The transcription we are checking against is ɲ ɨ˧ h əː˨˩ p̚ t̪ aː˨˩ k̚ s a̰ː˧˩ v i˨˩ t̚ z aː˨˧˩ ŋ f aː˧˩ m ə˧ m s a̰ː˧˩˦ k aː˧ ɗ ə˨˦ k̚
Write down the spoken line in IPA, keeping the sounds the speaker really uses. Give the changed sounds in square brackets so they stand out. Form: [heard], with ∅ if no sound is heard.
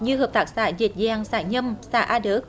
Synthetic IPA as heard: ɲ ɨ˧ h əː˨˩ p̚ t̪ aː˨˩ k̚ s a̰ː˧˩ [z] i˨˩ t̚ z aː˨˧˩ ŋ [s] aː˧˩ [ɲ] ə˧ m s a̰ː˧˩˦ [ʔ] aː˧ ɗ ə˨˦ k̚